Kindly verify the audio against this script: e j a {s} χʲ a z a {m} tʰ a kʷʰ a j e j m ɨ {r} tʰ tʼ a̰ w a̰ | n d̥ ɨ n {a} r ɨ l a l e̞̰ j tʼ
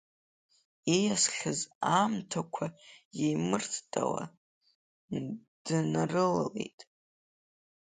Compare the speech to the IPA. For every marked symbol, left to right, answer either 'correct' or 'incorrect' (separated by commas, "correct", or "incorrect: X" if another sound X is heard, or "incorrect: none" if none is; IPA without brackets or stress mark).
correct, correct, correct, correct